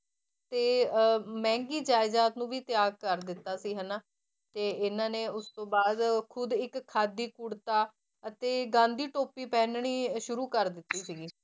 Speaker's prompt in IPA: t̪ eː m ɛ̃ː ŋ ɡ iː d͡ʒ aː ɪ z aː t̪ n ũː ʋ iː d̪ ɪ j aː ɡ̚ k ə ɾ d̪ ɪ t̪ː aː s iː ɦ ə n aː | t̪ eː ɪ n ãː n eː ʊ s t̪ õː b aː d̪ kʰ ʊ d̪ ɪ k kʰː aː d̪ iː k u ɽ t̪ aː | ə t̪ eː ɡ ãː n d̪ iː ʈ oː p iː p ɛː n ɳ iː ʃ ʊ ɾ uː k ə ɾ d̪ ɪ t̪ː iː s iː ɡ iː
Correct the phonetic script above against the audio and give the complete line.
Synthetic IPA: t̪ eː m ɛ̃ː ŋ ɡ iː d͡ʒ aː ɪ z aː t̪ n ũː ʋ iː t̪ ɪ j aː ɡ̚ k ə ɾ d̪ ɪ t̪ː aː s iː ɦ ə n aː | t̪ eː ɪ n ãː n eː ʊ s t̪ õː b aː d̪ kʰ ʊ d̪ ɪ k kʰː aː d̪ iː k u ɽ t̪ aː | ə t̪ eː ɡ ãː n d̪ iː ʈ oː p iː p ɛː n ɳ iː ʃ ʊ ɾ uː k ə ɾ d̪ ɪ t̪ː iː s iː ɡ iː